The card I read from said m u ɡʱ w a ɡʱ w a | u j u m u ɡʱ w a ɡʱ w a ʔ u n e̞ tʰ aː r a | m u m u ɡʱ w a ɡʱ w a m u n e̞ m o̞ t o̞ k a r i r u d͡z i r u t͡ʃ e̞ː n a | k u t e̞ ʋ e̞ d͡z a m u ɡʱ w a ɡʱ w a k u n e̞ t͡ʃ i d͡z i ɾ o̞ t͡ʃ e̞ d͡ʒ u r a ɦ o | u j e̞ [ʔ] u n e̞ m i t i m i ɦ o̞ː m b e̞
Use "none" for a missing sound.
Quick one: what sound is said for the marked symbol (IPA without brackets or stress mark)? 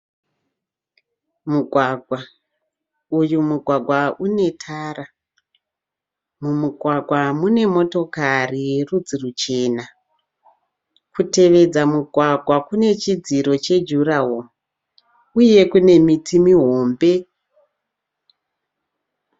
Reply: k